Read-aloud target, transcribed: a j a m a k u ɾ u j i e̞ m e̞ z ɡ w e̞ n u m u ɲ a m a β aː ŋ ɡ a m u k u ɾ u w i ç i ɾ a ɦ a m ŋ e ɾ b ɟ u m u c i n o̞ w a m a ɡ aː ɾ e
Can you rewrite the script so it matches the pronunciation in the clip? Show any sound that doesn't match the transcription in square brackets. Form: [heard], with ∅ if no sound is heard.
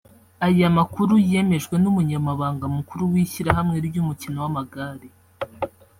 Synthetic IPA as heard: a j a m a k u ɾ u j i e̞ m e̞ [ʒ] ɡ w e̞ n u m u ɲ a m a β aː ŋ ɡ a m u k u ɾ u w i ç i ɾ a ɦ a m ŋ e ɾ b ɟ u m u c i n o̞ w a m a ɡ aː ɾ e